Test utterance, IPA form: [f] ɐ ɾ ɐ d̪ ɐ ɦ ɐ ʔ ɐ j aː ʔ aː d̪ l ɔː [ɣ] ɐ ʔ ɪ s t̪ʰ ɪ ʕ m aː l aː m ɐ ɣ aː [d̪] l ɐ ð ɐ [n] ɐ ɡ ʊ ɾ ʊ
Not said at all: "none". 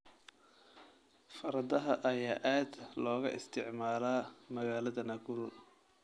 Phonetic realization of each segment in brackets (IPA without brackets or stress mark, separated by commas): f, ɣ, none, n